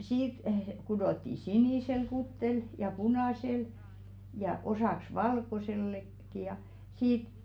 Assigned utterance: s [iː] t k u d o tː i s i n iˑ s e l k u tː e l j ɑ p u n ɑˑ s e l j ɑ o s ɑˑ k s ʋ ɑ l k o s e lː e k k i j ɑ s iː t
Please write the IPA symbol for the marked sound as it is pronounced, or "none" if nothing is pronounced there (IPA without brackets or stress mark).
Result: iː